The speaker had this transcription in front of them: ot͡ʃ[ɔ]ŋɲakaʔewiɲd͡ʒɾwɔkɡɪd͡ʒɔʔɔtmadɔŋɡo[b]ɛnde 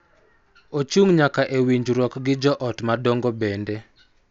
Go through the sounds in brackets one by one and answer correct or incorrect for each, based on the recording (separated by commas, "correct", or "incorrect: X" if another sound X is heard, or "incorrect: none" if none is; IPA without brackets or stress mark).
incorrect: u, correct